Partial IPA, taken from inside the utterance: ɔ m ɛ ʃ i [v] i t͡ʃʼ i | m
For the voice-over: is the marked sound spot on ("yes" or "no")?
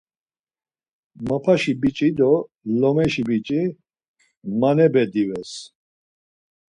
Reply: no